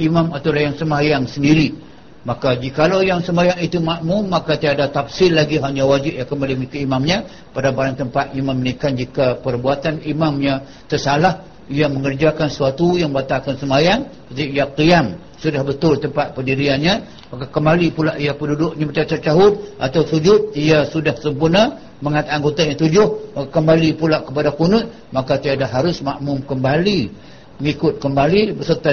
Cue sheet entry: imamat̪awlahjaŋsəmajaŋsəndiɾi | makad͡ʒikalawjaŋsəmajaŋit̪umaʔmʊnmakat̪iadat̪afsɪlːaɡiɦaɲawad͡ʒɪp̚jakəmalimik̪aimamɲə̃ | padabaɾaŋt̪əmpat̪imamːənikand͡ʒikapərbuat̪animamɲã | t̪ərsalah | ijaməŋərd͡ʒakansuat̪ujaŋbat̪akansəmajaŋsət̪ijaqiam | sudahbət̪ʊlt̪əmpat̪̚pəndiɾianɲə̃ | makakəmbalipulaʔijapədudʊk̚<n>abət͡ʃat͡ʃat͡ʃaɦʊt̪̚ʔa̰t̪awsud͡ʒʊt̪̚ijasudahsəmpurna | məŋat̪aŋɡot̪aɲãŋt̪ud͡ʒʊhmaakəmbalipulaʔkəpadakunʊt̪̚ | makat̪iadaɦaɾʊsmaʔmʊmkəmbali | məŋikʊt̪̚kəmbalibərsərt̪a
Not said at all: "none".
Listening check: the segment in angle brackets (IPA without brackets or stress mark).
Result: ɲ